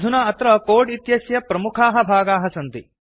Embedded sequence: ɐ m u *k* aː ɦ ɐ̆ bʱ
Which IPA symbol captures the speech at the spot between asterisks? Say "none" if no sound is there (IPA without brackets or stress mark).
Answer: kʰ